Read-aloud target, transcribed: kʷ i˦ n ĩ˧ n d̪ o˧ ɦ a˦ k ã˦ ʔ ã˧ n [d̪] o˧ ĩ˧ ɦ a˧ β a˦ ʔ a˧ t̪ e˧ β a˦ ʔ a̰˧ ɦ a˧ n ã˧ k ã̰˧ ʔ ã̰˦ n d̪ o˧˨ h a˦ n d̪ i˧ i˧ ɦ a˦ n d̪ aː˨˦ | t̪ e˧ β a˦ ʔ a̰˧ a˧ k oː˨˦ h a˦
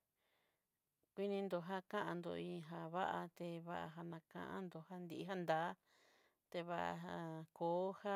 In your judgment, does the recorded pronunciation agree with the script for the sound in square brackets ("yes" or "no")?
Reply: yes